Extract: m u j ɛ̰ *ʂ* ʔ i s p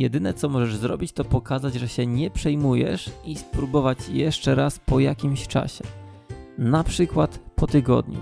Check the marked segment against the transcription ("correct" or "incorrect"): correct